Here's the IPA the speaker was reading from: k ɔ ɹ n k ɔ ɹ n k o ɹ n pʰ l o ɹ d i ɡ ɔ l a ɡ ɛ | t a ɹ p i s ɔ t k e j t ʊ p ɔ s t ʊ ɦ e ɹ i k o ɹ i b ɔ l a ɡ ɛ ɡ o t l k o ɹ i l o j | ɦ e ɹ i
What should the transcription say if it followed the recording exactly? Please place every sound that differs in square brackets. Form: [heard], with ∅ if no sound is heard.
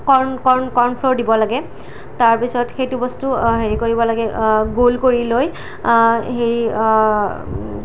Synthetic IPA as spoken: k ɔ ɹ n k ɔ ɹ n k [ɔ] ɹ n pʰ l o ɹ d i [b] ɔ l a ɡ ɛ | t a ɹ p i s ɔ t [x] e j t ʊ [b] ɔ s t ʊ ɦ e ɹ i k o ɹ i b ɔ l a ɡ ɛ ɡ o [∅] l k o ɹ i l o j | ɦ e ɹ i